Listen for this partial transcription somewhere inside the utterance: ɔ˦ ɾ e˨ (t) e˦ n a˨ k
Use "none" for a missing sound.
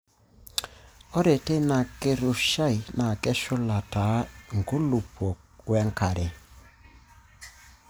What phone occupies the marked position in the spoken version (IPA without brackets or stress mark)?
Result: t